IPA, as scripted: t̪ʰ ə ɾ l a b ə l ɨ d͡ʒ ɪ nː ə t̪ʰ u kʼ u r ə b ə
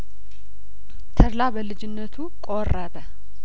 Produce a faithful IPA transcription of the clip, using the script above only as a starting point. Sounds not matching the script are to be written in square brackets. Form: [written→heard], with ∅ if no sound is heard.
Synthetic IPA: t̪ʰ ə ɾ l a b ə l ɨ d͡ʒ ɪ nː ə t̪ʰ u kʼ [u→o] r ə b ə